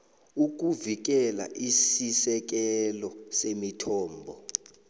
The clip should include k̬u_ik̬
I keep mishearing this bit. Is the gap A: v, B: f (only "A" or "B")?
A